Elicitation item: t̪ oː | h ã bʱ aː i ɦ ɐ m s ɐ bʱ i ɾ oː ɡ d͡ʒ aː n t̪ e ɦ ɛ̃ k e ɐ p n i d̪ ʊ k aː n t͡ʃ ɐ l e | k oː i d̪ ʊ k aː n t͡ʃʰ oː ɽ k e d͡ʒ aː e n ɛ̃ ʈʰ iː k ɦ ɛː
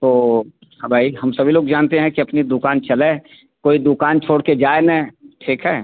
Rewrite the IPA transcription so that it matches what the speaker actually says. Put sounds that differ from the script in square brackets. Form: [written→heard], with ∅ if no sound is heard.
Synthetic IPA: t̪ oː | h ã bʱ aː i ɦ ɐ m s ɐ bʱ i [ɾ→l] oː ɡ d͡ʒ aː n t̪ e ɦ ɛ̃ k [e→i] ɐ p n i d̪ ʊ k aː n t͡ʃ ɐ l e | k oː i d̪ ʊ k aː n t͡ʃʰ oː ɽ k e d͡ʒ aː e n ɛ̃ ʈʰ iː k ɦ ɛː